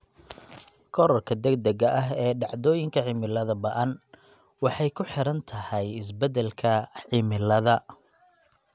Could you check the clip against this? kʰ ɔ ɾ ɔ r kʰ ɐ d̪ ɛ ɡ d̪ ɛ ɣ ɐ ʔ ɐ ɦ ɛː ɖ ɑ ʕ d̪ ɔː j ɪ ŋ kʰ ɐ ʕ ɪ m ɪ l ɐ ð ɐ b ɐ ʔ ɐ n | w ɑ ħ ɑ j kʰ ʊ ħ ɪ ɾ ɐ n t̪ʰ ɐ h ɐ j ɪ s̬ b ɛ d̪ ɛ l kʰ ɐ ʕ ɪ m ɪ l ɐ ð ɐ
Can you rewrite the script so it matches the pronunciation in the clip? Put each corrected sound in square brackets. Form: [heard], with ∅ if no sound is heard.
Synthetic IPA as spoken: kʰ ɔ ɾ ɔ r kʰ ɐ d̪ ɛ ɡ d̪ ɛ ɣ ɐ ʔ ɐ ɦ ɛː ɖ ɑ ʕ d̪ ɔː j ɪ ŋ kʰ ɐ ʕ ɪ m ɪ l ɐ ð ɐ b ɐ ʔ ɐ n | w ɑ ħ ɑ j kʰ ʊ ħ ɪ ɾ ɐ n t̪ʰ ɐ h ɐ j ɪ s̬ b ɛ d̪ ɛ l kʰ ɐ ʕ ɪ m ɪ l ɐ ð ɐ